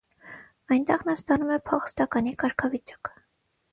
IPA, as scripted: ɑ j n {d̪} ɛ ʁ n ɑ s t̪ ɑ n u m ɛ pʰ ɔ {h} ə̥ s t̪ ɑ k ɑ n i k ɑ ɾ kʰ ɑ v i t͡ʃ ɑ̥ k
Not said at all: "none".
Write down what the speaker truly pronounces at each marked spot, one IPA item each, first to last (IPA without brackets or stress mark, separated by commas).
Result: t̪, χ